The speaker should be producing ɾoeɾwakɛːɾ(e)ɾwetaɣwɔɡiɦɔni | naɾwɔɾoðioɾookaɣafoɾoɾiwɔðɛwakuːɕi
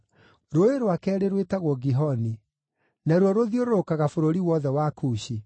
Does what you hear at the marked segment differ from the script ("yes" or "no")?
no